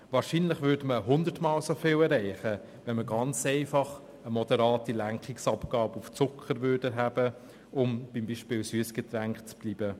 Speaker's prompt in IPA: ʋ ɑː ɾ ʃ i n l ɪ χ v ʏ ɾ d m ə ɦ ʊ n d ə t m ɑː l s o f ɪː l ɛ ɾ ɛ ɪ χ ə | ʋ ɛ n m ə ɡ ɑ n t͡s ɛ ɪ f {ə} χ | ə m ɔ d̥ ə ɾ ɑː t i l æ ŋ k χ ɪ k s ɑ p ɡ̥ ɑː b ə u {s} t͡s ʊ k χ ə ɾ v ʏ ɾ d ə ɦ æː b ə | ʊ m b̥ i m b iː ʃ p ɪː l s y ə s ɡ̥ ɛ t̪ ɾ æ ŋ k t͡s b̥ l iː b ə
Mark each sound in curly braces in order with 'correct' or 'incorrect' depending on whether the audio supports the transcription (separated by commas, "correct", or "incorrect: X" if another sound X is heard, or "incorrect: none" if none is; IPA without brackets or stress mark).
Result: incorrect: ɑ, incorrect: f